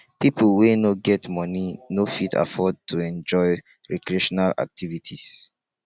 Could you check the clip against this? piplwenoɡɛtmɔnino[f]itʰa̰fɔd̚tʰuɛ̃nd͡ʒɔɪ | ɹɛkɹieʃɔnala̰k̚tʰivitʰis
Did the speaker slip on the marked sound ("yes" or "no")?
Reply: no